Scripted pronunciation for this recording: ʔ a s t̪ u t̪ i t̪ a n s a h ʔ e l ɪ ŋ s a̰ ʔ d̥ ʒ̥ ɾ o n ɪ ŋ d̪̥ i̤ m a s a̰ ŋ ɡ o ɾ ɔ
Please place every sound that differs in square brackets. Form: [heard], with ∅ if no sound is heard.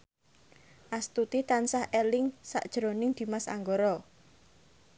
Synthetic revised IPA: ʔ a s t̪ u t̪ i t̪ a n s a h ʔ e l ɪ ŋ s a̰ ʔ d̥ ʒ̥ ɾ o n ɪ ŋ d̪̥ i̤ m a s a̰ ŋ ɡ o ɾ ɔ